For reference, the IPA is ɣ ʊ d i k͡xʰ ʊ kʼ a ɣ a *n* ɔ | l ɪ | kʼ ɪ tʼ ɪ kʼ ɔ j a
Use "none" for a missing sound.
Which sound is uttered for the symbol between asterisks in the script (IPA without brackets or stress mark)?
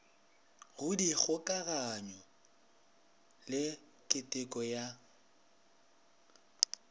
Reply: ɲ